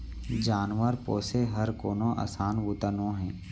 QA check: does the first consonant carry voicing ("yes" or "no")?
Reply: yes